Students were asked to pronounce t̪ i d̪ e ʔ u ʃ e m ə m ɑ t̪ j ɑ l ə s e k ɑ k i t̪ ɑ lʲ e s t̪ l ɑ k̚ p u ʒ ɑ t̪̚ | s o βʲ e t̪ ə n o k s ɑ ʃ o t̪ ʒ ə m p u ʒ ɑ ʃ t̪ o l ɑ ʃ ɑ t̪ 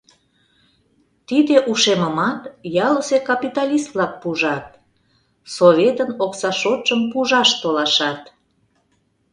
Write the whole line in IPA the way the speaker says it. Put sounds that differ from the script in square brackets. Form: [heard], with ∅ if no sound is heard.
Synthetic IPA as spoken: t̪ i d̪ e ʔ u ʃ e m ə m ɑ t̪ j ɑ l ə s e k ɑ [p] i t̪ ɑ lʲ [i] s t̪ l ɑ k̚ p u ʒ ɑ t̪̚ | s o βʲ e t̪ ə n o k s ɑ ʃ o t̪ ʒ ə m p u ʒ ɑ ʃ t̪ o l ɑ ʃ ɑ t̪

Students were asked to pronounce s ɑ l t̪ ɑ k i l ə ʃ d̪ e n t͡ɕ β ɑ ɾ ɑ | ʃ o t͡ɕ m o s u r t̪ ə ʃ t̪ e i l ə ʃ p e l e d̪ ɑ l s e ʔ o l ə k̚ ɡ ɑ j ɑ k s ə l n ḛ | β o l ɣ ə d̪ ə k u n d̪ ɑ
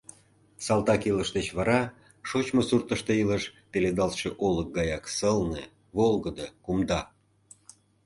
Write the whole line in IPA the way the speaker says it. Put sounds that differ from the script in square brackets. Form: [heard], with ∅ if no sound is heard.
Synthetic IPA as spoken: s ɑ l t̪ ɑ k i l ə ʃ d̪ e [∅] t͡ɕ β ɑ ɾ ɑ | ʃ o t͡ɕ m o s u r t̪ ə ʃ t̪ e i l ə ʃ p e l e d̪ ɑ l [ʃ] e ʔ o l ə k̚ ɡ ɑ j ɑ k s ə l n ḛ | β o l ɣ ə d̪ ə k u [m] d̪ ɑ

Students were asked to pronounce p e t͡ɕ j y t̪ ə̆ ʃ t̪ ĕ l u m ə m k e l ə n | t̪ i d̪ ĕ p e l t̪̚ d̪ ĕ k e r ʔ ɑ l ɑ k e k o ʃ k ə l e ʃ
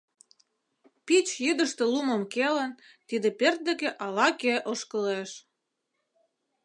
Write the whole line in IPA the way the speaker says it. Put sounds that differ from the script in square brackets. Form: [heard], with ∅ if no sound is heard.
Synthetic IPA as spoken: p [i] t͡ɕ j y [d̪] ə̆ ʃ t̪ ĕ l u m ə m k e l ə n | t̪ i d̪ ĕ p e [r] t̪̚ d̪ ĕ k e [∅] ʔ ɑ l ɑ k e [ʔ] o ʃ k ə l e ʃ

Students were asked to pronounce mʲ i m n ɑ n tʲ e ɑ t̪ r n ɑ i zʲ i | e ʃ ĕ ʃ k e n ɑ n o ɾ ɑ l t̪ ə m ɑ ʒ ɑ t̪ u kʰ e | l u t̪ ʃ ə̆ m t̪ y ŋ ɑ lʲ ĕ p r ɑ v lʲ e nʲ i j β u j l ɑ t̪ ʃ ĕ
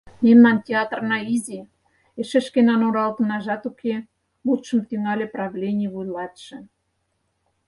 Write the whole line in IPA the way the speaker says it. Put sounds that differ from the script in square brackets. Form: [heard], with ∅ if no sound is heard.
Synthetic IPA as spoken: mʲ [e] m n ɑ n tʲ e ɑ t̪ r n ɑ i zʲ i | e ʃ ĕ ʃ k e n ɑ n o ɾ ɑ l t̪ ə [n] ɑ ʒ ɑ t̪ u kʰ e | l u t̪ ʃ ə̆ m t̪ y ŋ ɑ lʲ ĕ p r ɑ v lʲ e nʲ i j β u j l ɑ t̪ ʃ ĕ

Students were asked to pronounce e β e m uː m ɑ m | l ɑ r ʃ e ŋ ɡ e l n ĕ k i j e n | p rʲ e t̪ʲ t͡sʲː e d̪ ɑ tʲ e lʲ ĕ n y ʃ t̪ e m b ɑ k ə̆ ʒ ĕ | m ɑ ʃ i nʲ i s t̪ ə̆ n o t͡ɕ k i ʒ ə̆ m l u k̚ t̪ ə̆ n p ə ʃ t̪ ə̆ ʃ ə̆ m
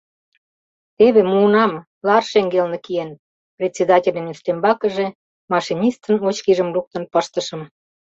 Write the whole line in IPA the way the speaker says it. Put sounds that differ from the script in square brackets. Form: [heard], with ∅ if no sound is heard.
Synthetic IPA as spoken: e β e m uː [n] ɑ m | l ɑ r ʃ e ŋ ɡ e l n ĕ k i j e n | p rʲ e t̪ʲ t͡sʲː e d̪ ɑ tʲ e lʲ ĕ n y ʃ t̪ e m b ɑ k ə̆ ʒ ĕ | m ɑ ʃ i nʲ i s t̪ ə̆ n o t͡ɕ k i ʒ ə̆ m l u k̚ t̪ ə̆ n p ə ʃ t̪ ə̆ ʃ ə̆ m

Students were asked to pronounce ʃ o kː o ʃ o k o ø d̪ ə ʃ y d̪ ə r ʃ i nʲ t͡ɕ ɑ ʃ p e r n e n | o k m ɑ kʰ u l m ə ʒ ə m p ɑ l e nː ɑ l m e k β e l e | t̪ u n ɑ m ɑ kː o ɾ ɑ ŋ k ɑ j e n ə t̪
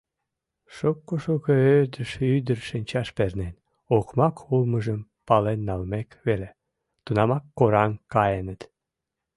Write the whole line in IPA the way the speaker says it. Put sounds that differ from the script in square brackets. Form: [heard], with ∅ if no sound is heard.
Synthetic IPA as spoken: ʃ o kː o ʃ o k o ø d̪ ə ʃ y d̪ ə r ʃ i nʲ t͡ɕ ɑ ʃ p e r n e n | o k m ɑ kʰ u l m ə ʒ ə m p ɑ l e nː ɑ l m e k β e l e | t̪ u n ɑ m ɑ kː o ɾ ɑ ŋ k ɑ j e n ə t̪

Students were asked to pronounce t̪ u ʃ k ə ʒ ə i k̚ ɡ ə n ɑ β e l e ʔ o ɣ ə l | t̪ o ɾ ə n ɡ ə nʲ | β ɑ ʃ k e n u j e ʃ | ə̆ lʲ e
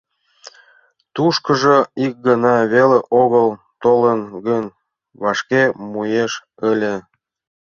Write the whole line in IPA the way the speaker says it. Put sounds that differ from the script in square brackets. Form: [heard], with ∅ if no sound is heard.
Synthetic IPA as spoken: t̪ u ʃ k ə ʒ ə i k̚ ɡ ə n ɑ β e l e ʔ o ɣ ə l | t̪ o [l] ə n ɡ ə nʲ | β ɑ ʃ k e [m] u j e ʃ | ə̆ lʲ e

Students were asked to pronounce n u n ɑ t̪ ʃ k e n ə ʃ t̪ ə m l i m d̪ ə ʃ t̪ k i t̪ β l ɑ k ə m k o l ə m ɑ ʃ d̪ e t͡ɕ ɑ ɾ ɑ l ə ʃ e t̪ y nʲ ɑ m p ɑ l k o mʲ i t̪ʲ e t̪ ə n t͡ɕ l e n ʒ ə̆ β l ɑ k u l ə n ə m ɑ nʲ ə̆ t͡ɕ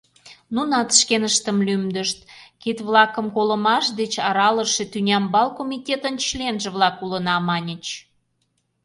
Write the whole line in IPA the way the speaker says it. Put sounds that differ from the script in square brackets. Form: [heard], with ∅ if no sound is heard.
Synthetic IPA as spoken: n u n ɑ t̪ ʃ k e n ə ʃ t̪ ə m l [y] m d̪ ə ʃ t̪ k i t̪ β l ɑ k ə m k o l ə m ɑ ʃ d̪ e t͡ɕ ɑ ɾ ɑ l ə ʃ e t̪ y nʲ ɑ m [b] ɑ l k o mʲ i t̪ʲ e t̪ ə n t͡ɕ l e n ʒ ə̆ β l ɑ k u l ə n [ɑ] m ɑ nʲ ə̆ t͡ɕ

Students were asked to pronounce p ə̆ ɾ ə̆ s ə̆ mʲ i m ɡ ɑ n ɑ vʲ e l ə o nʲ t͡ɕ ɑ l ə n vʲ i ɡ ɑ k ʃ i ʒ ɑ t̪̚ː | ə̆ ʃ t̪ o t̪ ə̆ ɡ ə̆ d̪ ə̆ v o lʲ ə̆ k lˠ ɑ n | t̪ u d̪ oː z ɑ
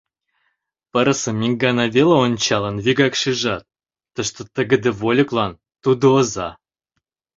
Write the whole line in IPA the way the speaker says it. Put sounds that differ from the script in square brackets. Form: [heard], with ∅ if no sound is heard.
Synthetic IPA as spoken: p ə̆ ɾ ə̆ s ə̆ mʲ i [ŋ] ɡ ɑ n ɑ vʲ e l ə o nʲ t͡ɕ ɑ l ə n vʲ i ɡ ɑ k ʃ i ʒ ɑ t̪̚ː | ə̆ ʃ t̪ o t̪ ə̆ ɡ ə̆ d̪ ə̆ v o lʲ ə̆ k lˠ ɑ n | t̪ u d̪ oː z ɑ

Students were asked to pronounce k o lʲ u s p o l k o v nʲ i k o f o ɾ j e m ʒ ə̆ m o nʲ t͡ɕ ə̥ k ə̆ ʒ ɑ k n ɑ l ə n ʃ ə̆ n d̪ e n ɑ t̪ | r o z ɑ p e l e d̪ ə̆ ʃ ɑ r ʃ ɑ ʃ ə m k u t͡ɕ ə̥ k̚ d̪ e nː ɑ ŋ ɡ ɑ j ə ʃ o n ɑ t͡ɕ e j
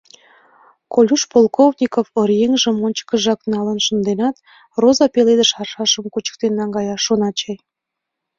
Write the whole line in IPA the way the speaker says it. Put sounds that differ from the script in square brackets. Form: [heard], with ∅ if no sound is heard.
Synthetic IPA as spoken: k o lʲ u [ʃ] p o l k o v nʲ i k o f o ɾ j e [ŋ] ʒ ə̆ m o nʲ t͡ɕ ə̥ k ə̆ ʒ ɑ k n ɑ l ə n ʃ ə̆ n d̪ e n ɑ t̪ | r o z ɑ p e l e d̪ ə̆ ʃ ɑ r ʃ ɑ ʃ ə m k u t͡ɕ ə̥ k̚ [t̪] e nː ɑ ŋ ɡ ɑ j [ɑ] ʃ o n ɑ t͡ɕ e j

